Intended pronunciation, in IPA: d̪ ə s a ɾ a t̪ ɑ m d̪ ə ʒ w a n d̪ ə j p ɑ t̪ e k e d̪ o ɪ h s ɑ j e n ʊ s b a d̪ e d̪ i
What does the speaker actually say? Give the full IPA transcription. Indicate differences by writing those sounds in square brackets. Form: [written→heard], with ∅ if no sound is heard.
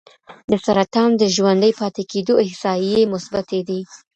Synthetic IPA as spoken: d̪ ə s a ɾ a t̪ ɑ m d̪ ə ʒ w a n d̪ ə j p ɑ t̪ e k e d̪ o ɪ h s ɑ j e [n→m] ʊ s b a [d̪→t̪] e d̪ i